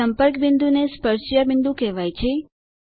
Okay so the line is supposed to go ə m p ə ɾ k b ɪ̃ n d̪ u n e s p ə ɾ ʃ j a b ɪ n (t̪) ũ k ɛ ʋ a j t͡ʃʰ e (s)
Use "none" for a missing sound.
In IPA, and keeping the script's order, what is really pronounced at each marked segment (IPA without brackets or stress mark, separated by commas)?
d̪, none